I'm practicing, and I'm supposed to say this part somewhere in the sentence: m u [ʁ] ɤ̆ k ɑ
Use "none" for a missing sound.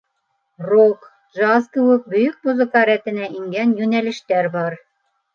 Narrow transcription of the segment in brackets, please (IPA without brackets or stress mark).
z